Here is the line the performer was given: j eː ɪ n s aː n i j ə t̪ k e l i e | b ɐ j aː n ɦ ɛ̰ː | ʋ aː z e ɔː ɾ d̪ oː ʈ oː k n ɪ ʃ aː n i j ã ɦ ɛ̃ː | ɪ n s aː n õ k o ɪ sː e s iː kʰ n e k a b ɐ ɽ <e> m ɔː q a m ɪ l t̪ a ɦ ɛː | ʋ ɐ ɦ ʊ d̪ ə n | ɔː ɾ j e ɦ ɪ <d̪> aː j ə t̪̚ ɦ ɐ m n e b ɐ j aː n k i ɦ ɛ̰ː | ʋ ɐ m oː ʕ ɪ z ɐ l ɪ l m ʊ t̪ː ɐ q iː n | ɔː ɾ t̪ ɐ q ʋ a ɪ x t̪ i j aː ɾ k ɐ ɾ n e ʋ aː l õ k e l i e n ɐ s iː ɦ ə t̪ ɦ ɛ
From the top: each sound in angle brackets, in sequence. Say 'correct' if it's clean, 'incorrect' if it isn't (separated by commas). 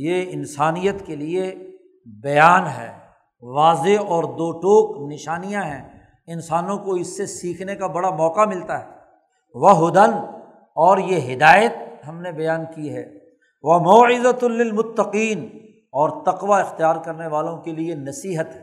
incorrect, correct